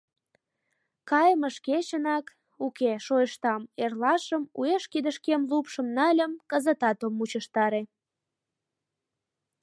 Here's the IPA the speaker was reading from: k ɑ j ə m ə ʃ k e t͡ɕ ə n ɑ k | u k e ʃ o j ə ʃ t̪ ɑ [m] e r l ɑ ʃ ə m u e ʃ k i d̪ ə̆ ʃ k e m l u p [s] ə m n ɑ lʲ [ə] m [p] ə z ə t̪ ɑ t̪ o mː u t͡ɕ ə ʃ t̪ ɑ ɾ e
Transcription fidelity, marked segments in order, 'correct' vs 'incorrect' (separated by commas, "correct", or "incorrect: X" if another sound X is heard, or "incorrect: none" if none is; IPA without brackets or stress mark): correct, incorrect: ʃ, correct, incorrect: k